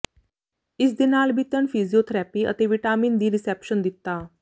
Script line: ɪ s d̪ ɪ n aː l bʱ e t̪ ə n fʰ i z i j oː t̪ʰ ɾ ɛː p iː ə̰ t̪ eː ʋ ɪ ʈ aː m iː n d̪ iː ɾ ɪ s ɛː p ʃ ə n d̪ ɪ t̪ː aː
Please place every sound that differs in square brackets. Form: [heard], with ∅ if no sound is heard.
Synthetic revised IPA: ɪ s d̪ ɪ n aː l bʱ [i] t̪ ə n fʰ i z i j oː t̪ʰ ɾ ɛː p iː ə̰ t̪ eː ʋ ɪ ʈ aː m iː n d̪ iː ɾ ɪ s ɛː p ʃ ə n d̪ ɪ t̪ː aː